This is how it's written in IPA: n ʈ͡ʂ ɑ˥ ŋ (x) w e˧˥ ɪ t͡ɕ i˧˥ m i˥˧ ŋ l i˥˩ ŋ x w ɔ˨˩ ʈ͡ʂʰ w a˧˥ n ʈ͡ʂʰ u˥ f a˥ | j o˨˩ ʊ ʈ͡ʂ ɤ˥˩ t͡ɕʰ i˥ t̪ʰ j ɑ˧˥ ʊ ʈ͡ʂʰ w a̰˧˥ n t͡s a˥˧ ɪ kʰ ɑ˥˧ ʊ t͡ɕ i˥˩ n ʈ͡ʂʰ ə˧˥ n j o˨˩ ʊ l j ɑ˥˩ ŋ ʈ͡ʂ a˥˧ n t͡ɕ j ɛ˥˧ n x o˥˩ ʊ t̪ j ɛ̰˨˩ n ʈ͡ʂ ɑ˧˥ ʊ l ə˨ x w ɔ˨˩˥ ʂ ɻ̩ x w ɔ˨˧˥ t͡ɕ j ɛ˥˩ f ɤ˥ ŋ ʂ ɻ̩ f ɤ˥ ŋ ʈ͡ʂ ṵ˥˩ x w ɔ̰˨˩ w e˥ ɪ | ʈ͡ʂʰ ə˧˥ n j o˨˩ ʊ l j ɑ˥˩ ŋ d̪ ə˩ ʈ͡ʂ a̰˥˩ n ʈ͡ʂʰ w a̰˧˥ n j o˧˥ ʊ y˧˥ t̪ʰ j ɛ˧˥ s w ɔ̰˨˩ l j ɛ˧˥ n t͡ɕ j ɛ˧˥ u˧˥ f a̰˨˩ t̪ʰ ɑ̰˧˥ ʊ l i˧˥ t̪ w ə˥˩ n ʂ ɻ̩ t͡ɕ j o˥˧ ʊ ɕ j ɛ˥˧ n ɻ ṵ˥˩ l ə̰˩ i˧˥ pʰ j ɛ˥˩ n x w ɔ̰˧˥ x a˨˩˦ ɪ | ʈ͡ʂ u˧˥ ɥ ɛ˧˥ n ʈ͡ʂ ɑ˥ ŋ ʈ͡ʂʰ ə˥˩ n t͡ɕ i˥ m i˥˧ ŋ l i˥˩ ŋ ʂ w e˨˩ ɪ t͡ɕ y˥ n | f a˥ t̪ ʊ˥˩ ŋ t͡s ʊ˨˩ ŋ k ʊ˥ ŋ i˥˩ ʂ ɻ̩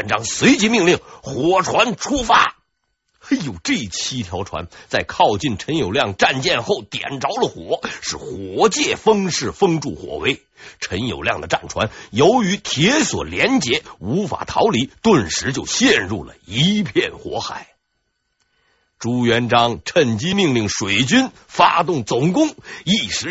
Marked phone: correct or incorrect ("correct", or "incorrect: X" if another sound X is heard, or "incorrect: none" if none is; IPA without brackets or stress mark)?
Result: incorrect: s